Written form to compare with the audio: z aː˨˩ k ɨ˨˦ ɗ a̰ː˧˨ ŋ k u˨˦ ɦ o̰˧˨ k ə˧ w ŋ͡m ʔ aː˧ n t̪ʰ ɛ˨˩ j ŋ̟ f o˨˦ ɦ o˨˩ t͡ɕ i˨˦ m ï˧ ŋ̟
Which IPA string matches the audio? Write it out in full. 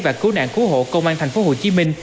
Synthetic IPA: v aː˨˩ k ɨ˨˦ ɗ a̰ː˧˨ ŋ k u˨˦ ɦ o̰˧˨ k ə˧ w ŋ͡m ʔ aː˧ n t̪ʰ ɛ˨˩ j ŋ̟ f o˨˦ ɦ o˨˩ t͡ɕ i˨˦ m ï˧ ŋ̟

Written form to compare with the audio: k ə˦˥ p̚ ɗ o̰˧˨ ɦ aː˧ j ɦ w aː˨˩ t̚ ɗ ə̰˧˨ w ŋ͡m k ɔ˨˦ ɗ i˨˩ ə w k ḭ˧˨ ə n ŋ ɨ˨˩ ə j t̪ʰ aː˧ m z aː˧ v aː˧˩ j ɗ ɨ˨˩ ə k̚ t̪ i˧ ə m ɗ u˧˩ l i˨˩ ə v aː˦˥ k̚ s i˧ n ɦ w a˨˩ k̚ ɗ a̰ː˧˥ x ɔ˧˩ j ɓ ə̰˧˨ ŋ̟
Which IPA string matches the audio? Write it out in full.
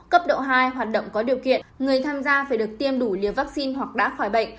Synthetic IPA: k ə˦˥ p̚ ɗ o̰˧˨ ɦ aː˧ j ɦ w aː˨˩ t̚ ɗ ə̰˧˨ w ŋ͡m k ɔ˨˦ ɗ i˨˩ ə w k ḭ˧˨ ə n ŋ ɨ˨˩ ə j t̪ʰ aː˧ m z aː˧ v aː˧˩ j ɗ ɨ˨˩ ə k̚ t̪ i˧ ə m ɗ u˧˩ l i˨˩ ə v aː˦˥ k̚ s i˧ n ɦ w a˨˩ k̚ ɗ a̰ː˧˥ x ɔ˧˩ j ɓ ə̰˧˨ ŋ̟

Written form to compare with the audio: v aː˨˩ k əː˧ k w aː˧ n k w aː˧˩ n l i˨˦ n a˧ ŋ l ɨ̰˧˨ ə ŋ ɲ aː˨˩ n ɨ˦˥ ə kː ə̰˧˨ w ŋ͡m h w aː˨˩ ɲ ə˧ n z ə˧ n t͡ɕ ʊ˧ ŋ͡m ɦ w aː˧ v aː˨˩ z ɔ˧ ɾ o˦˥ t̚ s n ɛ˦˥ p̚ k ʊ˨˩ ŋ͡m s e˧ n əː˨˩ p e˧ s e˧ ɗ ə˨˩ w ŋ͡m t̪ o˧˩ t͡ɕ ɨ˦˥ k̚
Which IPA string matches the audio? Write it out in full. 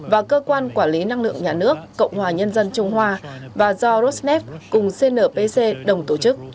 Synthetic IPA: v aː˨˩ k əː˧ k w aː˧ n k w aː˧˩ n l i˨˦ n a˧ ŋ l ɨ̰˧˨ ə ŋ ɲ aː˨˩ n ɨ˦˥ ə kː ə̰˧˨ w ŋ͡m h w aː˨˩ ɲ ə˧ n z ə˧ n t͡ɕ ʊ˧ ŋ͡m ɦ w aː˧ v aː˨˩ z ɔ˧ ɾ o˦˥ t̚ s n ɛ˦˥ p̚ k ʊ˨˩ ŋ͡m s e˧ n əː˨˩ p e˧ s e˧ ɗ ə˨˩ w ŋ͡m t̪ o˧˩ t͡ɕ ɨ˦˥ k̚

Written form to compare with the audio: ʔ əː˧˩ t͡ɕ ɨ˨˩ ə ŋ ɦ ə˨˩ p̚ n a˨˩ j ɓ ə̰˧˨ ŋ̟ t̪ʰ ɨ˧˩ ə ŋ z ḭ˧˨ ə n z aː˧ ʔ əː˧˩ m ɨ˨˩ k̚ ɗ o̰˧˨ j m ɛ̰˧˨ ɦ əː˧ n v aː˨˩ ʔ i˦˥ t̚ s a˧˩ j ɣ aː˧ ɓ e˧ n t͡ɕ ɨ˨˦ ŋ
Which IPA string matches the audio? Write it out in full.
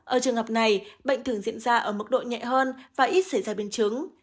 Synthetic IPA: ʔ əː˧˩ t͡ɕ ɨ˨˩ ə ŋ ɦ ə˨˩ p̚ n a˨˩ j ɓ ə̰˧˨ ŋ̟ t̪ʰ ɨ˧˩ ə ŋ z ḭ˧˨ ə n z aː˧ ʔ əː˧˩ m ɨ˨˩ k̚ ɗ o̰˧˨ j ɲ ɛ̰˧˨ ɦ əː˧ n v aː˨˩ ʔ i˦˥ t̚ s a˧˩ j z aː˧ ɓ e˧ n t͡ɕ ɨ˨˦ ŋ

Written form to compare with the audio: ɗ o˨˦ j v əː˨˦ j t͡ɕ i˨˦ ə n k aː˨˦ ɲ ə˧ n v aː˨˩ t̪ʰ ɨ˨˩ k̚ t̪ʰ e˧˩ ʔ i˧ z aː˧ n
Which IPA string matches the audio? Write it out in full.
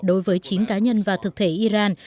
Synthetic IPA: ɗ o˨˦ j v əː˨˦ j t͡ɕ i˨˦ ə n k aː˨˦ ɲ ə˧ n v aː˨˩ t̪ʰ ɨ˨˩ k̚ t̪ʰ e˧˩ ʔ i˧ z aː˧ n

